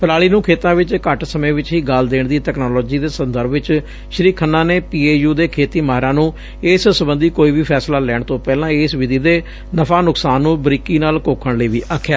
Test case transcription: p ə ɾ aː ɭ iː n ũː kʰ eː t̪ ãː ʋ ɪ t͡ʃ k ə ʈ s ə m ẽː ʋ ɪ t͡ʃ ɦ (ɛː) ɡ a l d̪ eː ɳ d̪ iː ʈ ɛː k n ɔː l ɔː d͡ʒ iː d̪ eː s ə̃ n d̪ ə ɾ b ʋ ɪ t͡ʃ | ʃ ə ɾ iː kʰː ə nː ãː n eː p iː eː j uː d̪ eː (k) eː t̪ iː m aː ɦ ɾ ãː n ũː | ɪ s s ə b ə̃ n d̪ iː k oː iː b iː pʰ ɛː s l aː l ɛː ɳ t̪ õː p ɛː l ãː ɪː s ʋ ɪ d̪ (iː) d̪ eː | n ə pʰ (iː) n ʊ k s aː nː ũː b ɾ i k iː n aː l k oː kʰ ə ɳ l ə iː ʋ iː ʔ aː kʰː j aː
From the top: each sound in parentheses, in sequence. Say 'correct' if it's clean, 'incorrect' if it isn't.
incorrect, incorrect, correct, incorrect

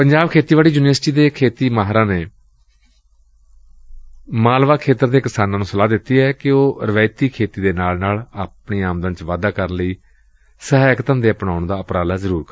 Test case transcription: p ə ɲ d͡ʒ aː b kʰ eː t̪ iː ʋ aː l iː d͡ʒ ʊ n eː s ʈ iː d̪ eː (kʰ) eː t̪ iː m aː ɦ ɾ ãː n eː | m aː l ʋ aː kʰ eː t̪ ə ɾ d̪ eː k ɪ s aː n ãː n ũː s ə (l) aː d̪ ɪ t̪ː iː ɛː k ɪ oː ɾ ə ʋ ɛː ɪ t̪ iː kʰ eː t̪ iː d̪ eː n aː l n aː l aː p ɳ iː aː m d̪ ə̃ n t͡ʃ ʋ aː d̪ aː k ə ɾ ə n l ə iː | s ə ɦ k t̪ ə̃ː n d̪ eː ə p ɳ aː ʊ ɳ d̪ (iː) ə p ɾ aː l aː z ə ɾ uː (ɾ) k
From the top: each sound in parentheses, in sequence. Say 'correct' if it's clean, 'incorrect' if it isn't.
correct, correct, incorrect, correct

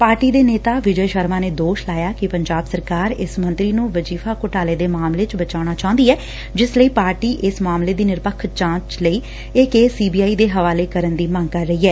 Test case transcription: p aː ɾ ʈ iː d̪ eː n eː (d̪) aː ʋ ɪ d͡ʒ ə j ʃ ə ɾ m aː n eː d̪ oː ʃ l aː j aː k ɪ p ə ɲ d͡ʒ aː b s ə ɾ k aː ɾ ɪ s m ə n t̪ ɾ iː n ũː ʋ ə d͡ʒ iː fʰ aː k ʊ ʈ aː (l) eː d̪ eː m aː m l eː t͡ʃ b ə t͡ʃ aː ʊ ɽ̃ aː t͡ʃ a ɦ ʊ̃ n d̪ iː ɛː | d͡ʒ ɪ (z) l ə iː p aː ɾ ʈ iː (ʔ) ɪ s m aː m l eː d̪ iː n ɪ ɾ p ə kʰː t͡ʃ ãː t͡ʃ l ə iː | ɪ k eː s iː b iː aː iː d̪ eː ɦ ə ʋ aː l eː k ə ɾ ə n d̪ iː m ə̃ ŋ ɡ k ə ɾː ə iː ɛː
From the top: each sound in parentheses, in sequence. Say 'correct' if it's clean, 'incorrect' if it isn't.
incorrect, correct, incorrect, correct

